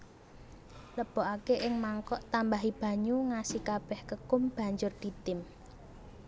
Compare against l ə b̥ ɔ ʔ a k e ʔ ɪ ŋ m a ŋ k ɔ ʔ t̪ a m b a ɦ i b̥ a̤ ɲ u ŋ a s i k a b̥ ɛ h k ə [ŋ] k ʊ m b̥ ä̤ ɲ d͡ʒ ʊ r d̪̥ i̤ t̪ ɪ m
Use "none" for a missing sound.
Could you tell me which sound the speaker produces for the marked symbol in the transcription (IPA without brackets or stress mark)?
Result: none